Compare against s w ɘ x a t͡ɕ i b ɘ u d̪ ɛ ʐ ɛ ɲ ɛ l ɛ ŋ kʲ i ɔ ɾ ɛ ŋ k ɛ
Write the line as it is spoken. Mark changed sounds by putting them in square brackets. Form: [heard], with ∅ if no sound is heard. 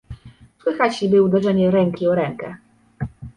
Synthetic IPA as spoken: s w ɘ x a t͡ɕ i b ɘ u d̪ ɛ ʐ ɛ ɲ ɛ [ɾ] ɛ ŋ kʲ i ɔ ɾ ɛ ŋ k ɛ